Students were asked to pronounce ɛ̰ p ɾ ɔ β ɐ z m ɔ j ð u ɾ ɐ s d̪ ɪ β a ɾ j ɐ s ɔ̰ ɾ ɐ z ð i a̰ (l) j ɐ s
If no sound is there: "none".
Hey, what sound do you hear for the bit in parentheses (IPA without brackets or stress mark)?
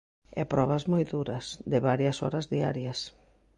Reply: ɾ